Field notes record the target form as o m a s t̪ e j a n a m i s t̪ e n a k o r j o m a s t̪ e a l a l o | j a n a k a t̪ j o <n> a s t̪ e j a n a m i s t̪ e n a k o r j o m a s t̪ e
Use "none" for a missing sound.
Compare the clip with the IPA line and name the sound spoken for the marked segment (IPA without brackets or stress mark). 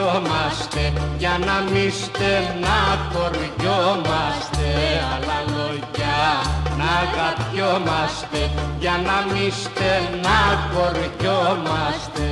m